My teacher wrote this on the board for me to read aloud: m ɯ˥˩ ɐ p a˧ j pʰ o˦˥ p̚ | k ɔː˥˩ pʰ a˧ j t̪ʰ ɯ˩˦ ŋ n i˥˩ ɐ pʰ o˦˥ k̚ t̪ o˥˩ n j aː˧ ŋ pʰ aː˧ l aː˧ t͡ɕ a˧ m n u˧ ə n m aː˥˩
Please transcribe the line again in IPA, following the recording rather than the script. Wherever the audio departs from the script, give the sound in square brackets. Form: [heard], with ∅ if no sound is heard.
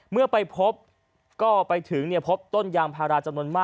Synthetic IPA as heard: m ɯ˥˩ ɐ p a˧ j pʰ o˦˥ p̚ | k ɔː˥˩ [p] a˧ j t̪ʰ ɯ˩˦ ŋ n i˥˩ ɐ pʰ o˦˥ [p̚] t̪ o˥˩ n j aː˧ ŋ pʰ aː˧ [ɾ] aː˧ t͡ɕ a˧ m n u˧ ə n m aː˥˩